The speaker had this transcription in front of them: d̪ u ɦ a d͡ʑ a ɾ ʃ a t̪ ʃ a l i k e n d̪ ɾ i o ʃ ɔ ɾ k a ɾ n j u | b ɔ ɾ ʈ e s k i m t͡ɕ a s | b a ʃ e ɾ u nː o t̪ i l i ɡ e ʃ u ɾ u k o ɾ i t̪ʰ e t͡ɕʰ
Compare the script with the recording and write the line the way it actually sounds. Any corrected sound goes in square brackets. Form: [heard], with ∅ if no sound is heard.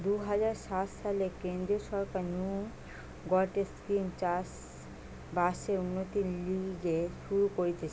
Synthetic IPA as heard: d̪ u ɦ a d͡ʑ a ɾ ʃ a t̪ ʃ a l [e] k e n d̪ ɾ i o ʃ ɔ ɾ k a ɾ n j u | [ɡ] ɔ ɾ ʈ e s k i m t͡ɕ a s | b a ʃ e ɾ u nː o t̪ i l i ɡ e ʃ u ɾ u k o ɾ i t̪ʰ e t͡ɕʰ